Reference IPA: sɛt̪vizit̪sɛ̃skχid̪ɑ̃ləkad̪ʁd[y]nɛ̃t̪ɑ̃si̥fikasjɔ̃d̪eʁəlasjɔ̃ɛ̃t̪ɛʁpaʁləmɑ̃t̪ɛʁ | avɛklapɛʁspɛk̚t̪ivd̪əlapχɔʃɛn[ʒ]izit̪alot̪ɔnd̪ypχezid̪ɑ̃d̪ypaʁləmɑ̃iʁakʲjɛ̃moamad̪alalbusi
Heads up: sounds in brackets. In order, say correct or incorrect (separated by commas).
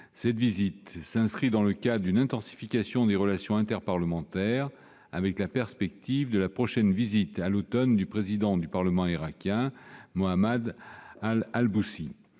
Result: correct, incorrect